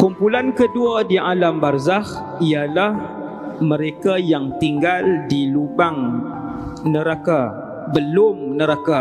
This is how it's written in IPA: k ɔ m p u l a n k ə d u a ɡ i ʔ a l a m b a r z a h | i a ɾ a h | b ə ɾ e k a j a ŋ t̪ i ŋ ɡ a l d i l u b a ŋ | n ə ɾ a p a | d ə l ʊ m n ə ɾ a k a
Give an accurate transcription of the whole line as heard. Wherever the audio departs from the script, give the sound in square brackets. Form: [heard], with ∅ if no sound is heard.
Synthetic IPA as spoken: k [u] m p u l a n k ə d u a [d] i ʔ a l a m b a r z a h | i a [l] a h | [m] ə ɾ e k a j a ŋ t̪ i ŋ ɡ a l d i l u b a ŋ | n ə ɾ a [k] a | [b] ə l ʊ m n ə ɾ a k a